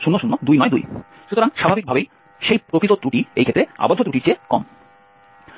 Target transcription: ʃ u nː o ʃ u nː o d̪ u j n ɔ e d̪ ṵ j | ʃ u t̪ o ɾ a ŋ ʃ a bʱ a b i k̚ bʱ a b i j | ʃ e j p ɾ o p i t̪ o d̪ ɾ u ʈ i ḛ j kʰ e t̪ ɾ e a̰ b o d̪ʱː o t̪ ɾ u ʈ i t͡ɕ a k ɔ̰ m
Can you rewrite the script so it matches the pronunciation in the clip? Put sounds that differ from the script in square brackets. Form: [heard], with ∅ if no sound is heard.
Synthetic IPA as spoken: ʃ u nː o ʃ u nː o d̪ u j n ɔ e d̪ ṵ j | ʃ u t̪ o ɾ a ŋ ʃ a bʱ a b i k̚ bʱ a b [e] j | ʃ e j p ɾ o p i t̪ o [t̪] ɾ u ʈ i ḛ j kʰ e t̪ ɾ e a̰ b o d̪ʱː o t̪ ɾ u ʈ i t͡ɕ [e] k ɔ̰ m